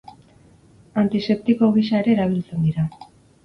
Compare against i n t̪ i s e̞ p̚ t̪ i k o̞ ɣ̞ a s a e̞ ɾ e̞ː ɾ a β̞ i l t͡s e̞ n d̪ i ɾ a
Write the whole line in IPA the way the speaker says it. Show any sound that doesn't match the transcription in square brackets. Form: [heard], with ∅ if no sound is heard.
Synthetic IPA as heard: [a] n t̪ i s e̞ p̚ t̪ i k o̞ ɣ̞ [i] s a e̞ ɾ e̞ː ɾ a β̞ i l t͡s e̞ n d̪ i ɾ a